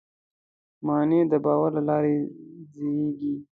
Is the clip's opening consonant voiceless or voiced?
voiced